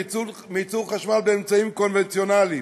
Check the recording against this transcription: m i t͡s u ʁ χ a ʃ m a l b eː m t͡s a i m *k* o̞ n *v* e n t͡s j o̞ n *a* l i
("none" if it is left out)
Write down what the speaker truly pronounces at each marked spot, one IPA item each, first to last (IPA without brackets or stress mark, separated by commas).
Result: k, v, a